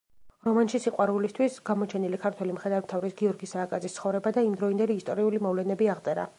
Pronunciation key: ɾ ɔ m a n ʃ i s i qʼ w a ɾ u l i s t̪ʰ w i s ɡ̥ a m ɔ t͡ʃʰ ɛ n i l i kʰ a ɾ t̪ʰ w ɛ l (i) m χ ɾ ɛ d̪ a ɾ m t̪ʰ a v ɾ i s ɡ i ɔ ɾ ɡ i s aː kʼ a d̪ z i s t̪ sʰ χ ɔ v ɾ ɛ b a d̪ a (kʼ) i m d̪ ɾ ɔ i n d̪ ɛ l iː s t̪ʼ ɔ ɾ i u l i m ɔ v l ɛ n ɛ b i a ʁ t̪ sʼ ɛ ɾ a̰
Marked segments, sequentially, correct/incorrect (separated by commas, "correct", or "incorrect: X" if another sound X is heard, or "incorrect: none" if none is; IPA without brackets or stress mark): correct, incorrect: none